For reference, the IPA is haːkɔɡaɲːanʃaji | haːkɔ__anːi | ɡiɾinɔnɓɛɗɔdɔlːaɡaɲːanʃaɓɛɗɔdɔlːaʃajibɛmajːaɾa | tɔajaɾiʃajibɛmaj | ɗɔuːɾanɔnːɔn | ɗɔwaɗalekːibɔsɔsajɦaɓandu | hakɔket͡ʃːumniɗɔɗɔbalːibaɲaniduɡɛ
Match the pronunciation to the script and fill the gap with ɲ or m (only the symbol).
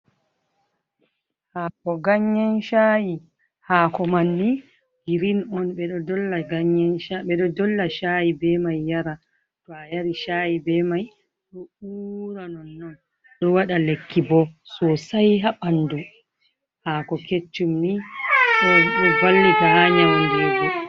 m